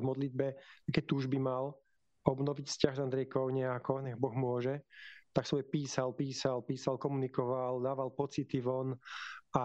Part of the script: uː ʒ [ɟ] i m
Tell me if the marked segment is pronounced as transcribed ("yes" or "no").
no